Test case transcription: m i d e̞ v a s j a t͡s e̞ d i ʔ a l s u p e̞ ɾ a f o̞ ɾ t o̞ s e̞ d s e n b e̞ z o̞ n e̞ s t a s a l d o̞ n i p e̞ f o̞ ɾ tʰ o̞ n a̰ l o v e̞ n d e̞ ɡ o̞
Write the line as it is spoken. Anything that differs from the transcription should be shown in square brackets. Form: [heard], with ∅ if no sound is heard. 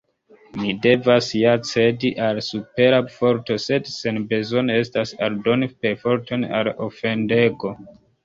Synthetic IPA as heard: m i d e̞ v a s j a t͡s e̞ d i ʔ a l s u p e̞ ɾ a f o̞ ɾ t o̞ s e̞ d s e n b e̞ z o̞ n e̞ s t a s a l d o̞ n i p e̞ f o̞ ɾ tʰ o̞ n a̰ l o [f] e̞ n d e̞ ɡ o̞